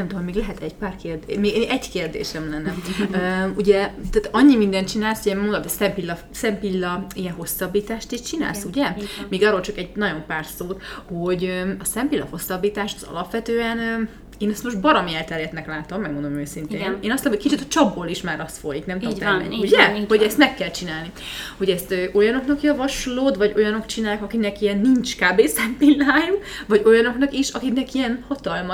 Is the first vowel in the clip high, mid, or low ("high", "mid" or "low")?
mid